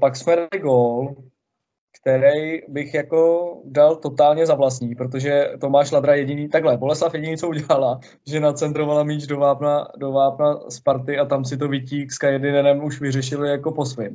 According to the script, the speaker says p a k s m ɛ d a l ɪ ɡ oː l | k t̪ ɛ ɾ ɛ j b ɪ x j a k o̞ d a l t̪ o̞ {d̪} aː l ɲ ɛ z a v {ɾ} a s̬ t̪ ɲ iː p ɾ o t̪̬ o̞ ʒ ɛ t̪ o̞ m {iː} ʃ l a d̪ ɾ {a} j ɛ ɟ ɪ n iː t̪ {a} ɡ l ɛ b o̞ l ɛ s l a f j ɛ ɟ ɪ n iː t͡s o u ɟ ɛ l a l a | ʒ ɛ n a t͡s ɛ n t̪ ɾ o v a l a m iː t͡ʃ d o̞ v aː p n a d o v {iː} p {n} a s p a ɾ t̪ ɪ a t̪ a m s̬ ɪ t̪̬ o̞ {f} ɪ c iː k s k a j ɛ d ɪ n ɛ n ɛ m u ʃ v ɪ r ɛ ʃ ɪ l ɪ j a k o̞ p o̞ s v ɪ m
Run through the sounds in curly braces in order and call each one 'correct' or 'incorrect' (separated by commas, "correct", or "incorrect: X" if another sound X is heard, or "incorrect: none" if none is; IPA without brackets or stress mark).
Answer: incorrect: t̪, incorrect: l, incorrect: aː, correct, correct, incorrect: aː, correct, incorrect: v